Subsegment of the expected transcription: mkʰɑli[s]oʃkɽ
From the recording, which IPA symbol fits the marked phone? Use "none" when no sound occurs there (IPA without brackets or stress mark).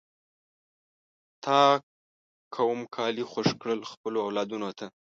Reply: x